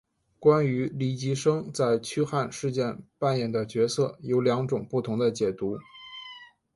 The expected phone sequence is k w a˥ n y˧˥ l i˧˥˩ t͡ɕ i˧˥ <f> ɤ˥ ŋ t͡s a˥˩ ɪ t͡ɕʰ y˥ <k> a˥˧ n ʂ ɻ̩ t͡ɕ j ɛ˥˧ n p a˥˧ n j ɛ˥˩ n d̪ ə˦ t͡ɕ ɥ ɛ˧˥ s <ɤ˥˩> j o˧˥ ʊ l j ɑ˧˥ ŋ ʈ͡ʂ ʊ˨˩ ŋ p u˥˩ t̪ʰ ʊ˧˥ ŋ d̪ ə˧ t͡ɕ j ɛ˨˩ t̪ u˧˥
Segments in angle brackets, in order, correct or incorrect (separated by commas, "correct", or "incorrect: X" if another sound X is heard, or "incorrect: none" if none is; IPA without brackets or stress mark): incorrect: ʂ, incorrect: x, correct